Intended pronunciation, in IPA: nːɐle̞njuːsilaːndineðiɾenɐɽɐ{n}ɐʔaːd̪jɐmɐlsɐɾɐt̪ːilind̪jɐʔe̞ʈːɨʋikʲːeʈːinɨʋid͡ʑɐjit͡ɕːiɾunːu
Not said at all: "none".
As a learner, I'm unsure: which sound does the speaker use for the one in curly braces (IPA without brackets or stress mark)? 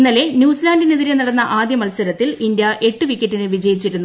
nː